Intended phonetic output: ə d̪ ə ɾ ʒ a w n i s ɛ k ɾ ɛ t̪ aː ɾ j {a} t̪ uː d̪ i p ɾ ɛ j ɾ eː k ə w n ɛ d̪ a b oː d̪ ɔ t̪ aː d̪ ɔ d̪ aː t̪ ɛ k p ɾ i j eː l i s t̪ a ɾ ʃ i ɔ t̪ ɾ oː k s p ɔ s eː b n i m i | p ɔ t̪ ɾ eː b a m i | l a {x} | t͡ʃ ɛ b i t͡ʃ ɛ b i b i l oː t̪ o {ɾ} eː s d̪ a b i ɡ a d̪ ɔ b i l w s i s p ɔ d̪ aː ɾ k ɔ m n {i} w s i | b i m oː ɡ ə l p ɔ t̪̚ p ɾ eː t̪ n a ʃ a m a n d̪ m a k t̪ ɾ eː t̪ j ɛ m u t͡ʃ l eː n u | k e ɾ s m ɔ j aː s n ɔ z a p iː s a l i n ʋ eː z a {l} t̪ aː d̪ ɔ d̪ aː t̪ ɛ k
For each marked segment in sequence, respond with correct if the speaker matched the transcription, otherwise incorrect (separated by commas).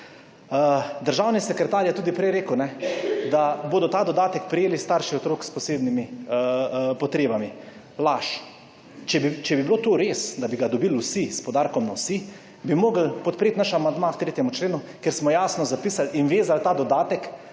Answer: incorrect, incorrect, correct, incorrect, correct